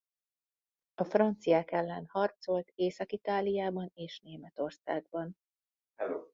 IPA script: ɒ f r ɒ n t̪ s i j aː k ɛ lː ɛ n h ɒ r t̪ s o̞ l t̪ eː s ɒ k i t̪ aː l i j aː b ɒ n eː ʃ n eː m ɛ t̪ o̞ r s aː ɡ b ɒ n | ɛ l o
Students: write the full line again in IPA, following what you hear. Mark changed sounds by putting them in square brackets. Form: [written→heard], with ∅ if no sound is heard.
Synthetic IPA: ɒ f r ɒ n t̪ s i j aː k ɛ lː ɛ n h ɒ r t̪ s o̞ l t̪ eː s ɒ k i t̪ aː l i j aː b ɒ n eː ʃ n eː m ɛ t̪ o̞ r s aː ɡ b ɒ n | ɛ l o